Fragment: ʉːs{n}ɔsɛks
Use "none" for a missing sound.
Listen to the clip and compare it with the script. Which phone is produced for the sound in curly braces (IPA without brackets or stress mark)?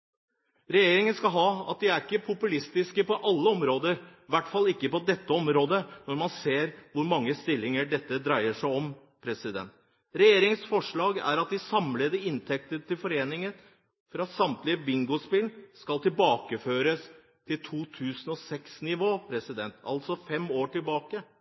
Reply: n